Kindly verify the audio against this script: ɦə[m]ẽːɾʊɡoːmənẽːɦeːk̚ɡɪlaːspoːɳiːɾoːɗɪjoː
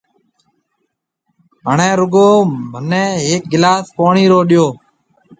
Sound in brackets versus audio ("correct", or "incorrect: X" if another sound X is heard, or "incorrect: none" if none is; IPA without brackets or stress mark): incorrect: ɳ